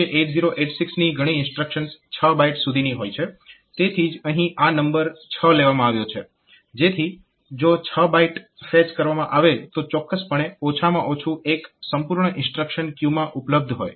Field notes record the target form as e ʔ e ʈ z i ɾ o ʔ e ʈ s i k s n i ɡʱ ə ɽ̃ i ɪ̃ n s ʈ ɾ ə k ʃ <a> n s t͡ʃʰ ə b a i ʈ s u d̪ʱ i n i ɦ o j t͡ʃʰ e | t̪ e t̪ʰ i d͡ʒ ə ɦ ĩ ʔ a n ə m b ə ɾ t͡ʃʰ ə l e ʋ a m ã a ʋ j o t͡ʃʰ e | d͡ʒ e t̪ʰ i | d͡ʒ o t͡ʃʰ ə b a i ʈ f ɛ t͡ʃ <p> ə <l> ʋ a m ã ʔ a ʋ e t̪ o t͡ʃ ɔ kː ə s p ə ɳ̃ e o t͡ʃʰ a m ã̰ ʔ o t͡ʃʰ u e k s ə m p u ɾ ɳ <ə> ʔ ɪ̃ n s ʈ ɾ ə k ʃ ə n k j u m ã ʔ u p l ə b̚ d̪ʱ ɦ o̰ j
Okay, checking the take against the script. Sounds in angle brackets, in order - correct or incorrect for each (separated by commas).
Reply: incorrect, incorrect, incorrect, correct